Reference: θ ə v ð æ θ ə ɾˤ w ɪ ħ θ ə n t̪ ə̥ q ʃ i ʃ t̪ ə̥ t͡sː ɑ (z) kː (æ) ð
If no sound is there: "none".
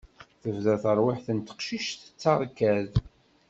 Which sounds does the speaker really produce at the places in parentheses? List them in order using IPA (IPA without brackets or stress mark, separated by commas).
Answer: ʁ, æ